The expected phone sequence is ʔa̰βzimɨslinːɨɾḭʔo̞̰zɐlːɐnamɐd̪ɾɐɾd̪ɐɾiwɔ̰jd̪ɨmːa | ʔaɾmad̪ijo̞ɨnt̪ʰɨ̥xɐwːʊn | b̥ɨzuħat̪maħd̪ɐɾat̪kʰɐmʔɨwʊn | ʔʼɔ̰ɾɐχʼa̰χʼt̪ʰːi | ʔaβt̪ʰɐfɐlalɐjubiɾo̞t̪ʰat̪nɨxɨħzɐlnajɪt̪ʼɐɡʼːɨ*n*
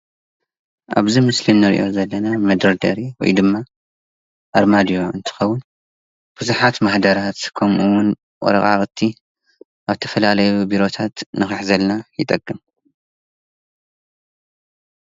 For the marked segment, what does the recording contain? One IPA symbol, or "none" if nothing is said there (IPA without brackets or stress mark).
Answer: m